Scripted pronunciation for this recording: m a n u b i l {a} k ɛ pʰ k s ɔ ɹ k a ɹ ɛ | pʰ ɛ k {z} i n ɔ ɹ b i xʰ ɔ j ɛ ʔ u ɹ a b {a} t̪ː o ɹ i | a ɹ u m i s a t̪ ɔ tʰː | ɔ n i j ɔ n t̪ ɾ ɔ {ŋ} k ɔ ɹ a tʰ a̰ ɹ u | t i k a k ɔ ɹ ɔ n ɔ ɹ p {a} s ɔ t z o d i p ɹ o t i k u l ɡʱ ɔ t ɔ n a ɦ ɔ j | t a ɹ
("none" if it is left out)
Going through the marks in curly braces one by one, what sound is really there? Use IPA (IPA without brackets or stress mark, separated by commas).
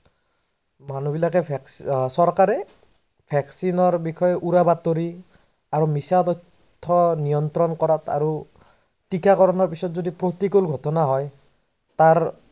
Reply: a, s, a, n, i